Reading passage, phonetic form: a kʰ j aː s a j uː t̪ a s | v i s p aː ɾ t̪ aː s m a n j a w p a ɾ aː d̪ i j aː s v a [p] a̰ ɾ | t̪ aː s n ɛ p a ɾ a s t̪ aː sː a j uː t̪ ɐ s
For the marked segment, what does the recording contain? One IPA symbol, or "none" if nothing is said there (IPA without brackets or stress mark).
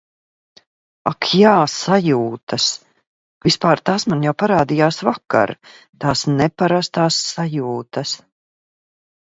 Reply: k